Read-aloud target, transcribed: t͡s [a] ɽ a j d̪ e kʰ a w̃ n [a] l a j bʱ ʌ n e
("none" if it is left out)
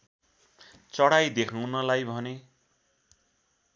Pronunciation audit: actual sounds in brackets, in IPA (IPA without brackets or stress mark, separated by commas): ʌ, ʌ